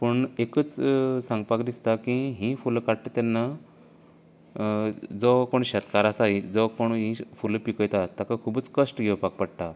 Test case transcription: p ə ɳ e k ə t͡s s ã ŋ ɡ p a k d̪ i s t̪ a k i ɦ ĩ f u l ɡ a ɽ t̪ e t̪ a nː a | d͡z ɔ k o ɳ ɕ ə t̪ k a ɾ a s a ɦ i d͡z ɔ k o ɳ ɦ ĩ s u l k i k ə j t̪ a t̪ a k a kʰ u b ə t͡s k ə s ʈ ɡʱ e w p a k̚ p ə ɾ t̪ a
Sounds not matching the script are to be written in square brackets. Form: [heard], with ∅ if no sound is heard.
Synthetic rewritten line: p ə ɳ e k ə t͡s s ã ŋ ɡ p a k d̪ i s t̪ a k i ɦ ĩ f u l [k] a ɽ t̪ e t̪ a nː a | d͡z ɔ k o ɳ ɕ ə t̪ k a ɾ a s a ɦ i d͡z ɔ k o ɳ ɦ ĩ [f] u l [p] i k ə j t̪ a t̪ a k a kʰ u b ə t͡s k ə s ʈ ɡʱ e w p a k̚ p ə [ɽ] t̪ a